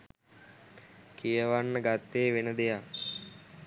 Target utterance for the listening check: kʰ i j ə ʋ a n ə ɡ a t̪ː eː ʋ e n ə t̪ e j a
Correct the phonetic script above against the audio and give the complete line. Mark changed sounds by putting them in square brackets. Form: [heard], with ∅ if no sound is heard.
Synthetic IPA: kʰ i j ə ʋ a [nː] ə ɡ a t̪ː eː ʋ e n ə [d̪] e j a